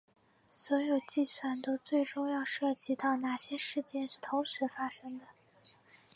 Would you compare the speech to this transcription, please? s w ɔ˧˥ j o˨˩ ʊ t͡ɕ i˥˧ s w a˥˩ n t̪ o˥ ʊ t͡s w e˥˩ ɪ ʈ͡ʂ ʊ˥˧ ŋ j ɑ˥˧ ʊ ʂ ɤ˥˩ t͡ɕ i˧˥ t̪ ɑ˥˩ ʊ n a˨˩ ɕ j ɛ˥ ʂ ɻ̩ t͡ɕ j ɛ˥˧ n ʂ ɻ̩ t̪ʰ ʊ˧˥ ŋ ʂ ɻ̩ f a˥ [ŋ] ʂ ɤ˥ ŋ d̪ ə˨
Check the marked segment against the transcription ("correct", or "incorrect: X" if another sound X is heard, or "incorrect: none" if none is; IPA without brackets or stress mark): incorrect: none